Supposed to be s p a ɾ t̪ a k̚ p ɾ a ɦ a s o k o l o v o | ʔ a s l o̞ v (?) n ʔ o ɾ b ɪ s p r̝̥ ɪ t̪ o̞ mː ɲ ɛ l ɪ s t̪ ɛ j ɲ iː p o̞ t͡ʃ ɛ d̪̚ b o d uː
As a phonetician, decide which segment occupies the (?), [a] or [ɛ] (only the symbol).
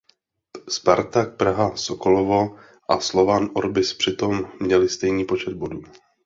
a